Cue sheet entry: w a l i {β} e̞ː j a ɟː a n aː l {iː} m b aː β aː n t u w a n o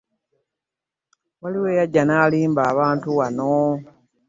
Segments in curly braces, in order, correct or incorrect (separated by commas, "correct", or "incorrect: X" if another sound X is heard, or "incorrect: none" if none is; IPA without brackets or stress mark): incorrect: w, correct